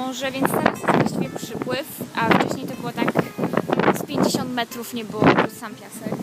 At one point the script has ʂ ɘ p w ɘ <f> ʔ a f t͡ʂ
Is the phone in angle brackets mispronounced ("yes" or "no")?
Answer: no